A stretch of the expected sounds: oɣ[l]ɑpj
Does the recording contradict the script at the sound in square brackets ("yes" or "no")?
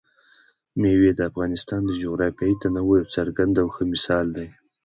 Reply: yes